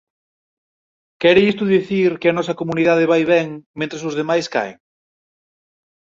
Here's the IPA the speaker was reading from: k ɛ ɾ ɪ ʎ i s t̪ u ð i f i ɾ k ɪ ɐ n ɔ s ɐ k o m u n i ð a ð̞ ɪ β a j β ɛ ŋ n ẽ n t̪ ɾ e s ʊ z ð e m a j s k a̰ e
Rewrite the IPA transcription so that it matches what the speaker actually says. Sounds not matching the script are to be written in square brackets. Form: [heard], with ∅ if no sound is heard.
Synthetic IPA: k ɛ ɾ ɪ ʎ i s t̪ u ð i [θ] i ɾ k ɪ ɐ n ɔ s ɐ k o m u n i ð a ð̞ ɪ β a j β ɛ ŋ [m] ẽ n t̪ ɾ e s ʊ z ð e m a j s k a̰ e

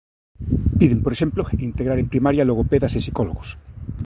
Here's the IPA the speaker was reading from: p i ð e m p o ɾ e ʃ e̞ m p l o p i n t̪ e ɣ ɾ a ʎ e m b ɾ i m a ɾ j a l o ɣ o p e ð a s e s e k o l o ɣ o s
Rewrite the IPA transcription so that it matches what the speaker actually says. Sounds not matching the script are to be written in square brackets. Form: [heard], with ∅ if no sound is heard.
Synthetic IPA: p i ð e m p o ɾ e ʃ e̞ m p l o [∅] i n t̪ e ɣ ɾ a [ɾ] e m [p] ɾ i m a ɾ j a l o ɣ o p e ð a s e s [i] k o l o ɣ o s

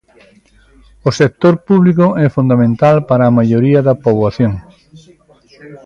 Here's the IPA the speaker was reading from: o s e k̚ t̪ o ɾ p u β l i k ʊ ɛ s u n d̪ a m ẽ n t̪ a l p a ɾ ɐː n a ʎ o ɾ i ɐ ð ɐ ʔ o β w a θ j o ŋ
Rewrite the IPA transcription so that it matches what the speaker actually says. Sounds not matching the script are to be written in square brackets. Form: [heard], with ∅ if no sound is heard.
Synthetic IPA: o s e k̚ t̪ o ɾ p u β l i k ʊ ɛ [f] u n d̪ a m ẽ n t̪ a l p a ɾ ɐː [m] a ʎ o ɾ i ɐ ð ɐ [p] o β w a θ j o ŋ

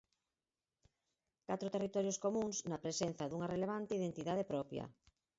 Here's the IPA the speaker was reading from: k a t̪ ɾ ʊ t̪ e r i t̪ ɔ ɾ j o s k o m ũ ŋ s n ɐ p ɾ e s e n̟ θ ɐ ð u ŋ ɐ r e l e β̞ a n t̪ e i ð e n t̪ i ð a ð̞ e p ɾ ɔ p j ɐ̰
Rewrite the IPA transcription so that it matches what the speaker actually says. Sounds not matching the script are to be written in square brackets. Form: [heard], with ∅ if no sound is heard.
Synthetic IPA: k a t̪ ɾ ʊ t̪ e r i t̪ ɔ ɾ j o s k o m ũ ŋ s n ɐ p ɾ e s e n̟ θ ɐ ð u ŋ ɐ r e l e β̞ a n t̪ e i ð e n t̪ i ð a ð̞ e p ɾ ɔ p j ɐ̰

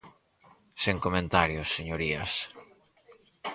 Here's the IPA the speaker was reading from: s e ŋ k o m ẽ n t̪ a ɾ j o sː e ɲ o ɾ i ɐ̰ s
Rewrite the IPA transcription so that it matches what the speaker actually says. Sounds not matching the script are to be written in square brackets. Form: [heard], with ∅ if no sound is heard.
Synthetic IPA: s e ŋ k o m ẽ n t̪ a ɾ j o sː e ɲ o ɾ i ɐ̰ s

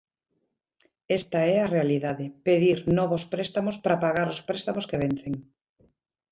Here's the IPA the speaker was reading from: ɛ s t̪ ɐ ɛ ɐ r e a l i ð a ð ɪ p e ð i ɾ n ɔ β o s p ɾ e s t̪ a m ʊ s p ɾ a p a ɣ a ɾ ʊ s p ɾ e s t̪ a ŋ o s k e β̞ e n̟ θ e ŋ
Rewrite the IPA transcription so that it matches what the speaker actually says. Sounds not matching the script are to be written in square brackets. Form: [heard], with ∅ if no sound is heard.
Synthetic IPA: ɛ s t̪ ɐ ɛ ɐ r e a l i ð a ð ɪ p e ð i ɾ n ɔ β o s p ɾ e s t̪ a m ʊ s p ɾ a p a ɣ a ɾ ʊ s p ɾ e s t̪ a [m] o s k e β̞ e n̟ θ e ŋ

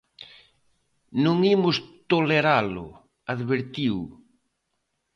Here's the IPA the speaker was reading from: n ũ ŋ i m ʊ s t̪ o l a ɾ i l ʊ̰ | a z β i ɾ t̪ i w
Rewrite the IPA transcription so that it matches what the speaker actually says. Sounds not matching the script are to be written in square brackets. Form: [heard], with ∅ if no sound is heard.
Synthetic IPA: n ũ ŋ i m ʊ s t̪ o l [e] ɾ [a] l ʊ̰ | a [ð] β [e] ɾ t̪ i w

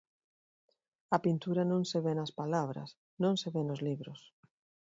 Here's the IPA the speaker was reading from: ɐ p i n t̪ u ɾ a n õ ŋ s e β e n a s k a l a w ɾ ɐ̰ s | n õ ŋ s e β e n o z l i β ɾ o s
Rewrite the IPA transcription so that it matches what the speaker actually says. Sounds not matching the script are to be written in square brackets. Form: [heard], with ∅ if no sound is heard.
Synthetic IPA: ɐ p i n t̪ u ɾ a n õ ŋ s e β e n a s [p] a l a [β] ɾ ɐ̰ s | n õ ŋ s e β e n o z l i β ɾ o s

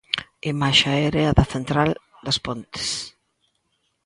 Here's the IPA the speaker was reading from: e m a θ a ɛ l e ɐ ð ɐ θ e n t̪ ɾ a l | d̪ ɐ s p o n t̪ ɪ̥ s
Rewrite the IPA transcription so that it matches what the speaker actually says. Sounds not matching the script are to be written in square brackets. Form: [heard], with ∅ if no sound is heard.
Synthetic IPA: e m a [ʃ] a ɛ [ɾ] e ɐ ð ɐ θ e n t̪ ɾ a l | d̪ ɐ s p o n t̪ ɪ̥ s

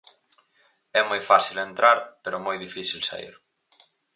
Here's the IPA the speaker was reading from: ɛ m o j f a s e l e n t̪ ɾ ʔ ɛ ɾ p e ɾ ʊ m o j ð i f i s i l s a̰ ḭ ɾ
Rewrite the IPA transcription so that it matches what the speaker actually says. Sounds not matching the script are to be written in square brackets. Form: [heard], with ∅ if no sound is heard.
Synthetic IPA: ɛ m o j f a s [i] l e n t̪ ɾ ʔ [a] ɾ p e ɾ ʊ m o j ð i f i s i l s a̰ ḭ ɾ

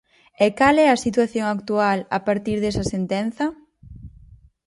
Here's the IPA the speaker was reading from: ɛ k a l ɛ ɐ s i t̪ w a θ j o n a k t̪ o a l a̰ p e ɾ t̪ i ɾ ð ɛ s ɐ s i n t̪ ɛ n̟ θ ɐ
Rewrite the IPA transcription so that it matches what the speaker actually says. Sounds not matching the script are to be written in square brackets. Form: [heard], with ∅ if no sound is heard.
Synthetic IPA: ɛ k a l ɛ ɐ s i t̪ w a θ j o [ŋ] a k t̪ [u] a l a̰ p [a] ɾ t̪ i ɾ ð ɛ s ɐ s [e] n t̪ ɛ n̟ θ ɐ

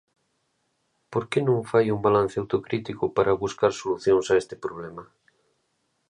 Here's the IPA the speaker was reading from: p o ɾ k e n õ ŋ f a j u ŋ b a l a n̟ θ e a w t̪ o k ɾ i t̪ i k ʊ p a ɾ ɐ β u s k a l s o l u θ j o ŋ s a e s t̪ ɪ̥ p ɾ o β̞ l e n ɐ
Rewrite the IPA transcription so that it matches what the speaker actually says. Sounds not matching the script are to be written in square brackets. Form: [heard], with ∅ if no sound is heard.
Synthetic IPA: p o ɾ k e n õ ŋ f a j u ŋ b a l a n̟ θ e a w t̪ o k ɾ i t̪ i k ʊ p a ɾ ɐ β u s k a [ɾ] s o l u θ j o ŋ s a e s t̪ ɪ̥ p ɾ o β̞ l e [m] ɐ

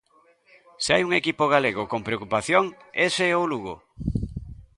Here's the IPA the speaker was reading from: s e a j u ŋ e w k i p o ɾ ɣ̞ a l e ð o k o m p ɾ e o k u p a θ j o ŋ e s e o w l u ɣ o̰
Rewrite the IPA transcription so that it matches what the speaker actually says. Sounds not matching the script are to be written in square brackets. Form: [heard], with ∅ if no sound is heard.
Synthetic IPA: s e a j u ŋ e [∅] k i p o [∅] ɣ̞ a l e [ɣ] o k o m p ɾ e o k u p a θ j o ŋ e s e o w l u ɣ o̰

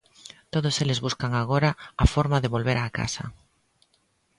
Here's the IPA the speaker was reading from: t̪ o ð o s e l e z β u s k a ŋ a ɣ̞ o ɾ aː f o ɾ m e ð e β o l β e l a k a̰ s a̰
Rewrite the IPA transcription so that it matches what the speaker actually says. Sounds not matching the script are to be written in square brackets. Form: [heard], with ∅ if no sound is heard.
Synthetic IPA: t̪ o ð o s e l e z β u s k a ŋ a ɣ̞ o ɾ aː f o ɾ m [a] ð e β o l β e [ɾ] a k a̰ s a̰

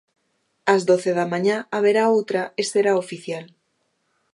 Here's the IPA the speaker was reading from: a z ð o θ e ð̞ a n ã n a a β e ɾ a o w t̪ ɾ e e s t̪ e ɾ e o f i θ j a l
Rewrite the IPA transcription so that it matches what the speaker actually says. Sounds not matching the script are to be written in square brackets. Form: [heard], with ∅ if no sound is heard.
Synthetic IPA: a z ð o θ e ð̞ a [m] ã [ɲ] a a β e ɾ a o w t̪ ɾ [a] e s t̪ e ɾ [a] o f i θ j a l

